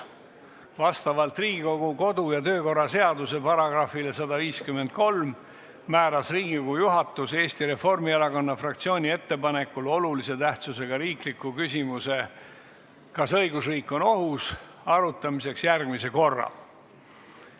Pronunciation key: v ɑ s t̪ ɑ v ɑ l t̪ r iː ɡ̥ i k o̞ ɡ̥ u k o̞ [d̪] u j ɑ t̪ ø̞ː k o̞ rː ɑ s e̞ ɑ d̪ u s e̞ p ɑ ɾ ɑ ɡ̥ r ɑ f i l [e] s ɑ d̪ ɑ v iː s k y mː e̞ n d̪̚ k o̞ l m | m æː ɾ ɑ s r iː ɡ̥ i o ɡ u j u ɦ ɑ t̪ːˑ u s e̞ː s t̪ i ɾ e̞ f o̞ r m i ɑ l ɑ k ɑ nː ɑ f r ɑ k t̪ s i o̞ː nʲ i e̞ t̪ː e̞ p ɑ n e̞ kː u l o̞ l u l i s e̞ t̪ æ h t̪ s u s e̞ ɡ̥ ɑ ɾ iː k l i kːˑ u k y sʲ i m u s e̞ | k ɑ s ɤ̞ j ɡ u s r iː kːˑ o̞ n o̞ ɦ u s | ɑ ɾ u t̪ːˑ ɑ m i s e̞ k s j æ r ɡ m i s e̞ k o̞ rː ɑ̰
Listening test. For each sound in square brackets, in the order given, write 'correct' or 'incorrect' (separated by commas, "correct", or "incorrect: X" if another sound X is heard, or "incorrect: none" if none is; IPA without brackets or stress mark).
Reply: correct, correct